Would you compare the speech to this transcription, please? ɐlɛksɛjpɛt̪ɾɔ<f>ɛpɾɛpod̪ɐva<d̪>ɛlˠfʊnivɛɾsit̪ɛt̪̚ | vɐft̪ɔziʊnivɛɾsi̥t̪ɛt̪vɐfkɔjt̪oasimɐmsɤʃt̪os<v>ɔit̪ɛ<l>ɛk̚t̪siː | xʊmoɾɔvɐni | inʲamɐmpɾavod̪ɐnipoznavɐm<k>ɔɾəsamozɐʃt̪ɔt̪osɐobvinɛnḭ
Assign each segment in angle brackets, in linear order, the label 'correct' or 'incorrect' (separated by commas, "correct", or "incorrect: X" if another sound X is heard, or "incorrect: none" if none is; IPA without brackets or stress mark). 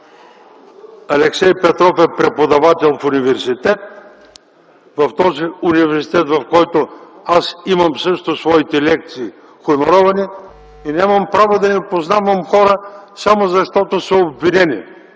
correct, incorrect: t̪, correct, correct, incorrect: x